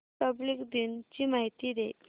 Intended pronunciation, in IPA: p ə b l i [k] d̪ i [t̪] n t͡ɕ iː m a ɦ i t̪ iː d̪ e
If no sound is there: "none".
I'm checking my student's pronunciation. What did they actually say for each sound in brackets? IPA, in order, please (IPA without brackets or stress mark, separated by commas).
k, none